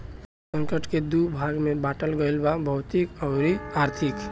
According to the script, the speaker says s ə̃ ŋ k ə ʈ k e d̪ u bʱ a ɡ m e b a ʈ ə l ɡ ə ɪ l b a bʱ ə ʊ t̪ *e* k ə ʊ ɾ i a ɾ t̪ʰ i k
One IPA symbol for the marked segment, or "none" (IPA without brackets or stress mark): i